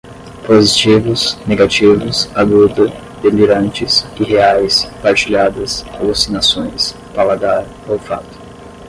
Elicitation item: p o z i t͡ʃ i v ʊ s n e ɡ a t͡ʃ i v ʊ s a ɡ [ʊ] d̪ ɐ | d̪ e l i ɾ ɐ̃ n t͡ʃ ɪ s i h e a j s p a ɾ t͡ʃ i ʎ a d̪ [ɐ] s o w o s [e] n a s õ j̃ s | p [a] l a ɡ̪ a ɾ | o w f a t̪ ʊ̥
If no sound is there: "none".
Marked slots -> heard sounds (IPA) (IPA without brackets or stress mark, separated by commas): u, ɐ, i, a